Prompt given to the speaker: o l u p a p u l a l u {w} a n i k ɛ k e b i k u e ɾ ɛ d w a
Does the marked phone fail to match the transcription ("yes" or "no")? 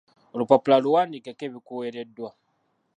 no